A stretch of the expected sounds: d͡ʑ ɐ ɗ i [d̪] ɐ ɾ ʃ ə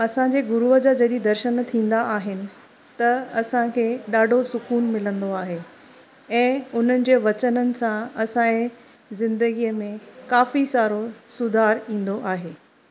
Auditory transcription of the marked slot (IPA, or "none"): d̪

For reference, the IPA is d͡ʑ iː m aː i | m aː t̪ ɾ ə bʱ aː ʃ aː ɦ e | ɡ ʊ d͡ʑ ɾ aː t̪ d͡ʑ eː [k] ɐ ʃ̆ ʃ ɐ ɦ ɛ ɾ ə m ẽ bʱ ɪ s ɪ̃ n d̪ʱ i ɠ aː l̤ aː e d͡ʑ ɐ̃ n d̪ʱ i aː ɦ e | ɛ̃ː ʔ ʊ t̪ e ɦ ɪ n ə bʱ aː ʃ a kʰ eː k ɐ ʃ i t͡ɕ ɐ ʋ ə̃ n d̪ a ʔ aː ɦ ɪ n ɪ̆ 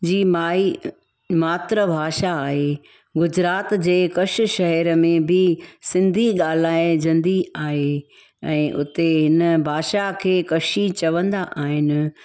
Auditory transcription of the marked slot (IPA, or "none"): k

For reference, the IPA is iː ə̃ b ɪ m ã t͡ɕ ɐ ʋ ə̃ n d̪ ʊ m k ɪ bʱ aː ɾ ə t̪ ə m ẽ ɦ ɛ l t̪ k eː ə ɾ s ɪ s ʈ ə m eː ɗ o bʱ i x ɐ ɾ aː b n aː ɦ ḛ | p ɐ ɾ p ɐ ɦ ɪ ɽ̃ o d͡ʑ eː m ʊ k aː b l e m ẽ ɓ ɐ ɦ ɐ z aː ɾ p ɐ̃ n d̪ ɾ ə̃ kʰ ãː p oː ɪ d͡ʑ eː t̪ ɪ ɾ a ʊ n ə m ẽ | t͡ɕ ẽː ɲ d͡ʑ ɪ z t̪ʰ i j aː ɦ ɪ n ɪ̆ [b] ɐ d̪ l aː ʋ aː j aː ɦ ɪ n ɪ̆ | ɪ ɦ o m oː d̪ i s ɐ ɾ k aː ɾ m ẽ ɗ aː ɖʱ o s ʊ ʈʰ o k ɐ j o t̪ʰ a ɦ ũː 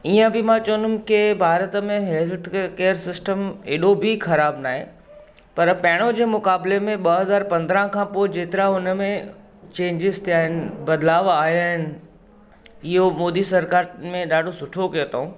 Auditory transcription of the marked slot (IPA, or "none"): b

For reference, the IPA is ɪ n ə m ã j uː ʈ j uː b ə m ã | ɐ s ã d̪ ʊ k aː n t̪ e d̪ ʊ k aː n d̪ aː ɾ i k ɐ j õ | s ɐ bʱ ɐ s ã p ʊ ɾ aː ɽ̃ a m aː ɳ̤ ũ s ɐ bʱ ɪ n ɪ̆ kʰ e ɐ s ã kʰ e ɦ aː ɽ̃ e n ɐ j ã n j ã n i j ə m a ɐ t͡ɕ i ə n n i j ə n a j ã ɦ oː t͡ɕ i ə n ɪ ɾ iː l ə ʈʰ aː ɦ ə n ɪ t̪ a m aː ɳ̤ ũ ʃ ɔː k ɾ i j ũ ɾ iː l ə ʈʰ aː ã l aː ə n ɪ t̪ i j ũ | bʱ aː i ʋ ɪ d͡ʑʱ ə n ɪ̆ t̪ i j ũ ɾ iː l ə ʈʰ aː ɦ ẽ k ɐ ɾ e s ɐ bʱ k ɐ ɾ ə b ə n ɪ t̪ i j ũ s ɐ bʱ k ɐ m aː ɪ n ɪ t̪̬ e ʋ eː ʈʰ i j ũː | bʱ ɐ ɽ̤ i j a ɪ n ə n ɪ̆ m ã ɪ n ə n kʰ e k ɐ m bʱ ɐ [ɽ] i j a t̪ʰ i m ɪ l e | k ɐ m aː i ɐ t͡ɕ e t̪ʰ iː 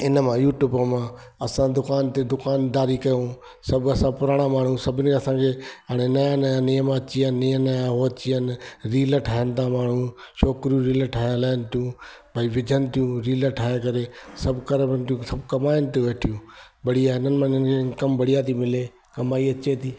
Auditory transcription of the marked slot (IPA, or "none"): ɽ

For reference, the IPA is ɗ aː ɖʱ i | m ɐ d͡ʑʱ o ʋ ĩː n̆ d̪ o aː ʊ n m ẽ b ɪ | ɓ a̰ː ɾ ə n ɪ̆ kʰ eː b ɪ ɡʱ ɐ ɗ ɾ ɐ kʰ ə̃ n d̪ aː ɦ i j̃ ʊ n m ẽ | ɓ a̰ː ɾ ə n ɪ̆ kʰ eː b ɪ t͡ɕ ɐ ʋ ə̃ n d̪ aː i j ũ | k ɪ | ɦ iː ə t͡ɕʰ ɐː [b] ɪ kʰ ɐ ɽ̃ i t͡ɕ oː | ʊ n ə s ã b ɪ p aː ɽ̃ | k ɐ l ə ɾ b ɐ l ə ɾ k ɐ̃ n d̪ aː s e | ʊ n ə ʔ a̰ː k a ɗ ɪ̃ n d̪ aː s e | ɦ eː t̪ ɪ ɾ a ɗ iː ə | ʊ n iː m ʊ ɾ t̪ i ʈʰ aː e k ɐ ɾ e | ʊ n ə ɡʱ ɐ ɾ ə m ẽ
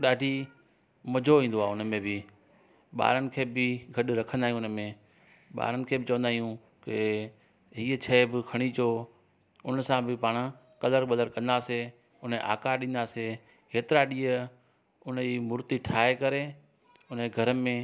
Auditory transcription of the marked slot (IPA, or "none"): b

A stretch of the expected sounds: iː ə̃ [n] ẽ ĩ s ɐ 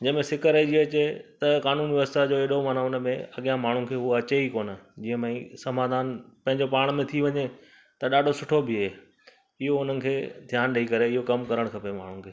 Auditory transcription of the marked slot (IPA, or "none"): m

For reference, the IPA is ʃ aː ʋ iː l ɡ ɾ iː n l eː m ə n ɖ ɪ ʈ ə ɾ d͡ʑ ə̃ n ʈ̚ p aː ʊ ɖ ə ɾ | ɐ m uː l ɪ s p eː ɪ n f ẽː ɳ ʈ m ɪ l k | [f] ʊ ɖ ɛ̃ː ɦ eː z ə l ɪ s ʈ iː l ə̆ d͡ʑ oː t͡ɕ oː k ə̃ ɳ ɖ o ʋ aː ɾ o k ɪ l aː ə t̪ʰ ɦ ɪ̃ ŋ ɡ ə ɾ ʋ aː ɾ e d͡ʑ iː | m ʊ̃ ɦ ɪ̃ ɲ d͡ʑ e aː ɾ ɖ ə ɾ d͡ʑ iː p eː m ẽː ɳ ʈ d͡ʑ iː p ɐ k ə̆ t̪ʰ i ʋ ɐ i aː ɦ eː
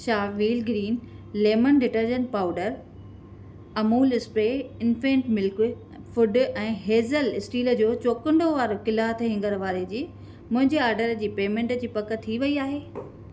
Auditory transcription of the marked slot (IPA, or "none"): f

